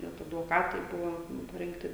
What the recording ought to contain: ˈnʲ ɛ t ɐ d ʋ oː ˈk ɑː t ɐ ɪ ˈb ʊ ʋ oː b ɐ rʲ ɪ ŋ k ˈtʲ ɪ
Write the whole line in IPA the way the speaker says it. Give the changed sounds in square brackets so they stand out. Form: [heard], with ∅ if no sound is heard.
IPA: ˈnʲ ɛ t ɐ d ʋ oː ˈk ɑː t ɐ ɪ ˈb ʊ ʋ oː [p] ɐ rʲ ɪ ŋ k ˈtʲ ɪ